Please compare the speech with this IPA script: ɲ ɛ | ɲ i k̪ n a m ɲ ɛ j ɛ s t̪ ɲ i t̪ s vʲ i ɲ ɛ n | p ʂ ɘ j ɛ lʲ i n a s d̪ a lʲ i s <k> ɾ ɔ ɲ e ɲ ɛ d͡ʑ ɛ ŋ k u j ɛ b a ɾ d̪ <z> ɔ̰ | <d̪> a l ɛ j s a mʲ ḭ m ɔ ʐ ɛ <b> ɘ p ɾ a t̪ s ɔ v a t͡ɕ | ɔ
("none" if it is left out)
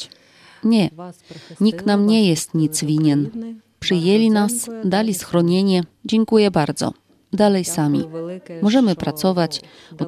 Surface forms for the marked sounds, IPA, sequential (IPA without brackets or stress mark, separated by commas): x, z, d̪, m